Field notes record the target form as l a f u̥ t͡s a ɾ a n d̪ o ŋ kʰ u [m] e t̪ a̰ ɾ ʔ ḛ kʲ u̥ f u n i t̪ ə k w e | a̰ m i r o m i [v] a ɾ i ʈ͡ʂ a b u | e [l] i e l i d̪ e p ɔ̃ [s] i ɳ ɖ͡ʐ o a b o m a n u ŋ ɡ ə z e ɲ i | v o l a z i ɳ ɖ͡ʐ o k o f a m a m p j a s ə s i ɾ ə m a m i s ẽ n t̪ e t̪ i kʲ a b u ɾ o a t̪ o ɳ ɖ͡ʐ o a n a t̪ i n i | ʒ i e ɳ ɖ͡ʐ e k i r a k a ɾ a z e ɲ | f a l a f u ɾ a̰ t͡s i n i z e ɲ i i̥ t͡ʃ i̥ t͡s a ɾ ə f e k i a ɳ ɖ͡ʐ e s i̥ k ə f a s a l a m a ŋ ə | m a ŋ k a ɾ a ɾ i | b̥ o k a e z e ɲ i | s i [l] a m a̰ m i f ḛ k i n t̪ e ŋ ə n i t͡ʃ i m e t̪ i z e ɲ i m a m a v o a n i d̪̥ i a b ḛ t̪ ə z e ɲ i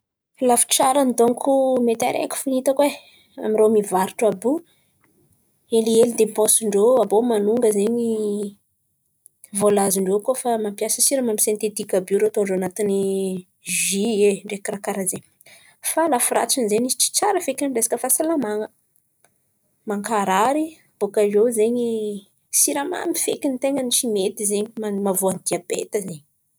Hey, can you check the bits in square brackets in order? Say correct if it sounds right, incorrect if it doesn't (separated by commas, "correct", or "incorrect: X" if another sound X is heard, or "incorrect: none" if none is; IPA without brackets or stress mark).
correct, correct, correct, correct, incorrect: ɾ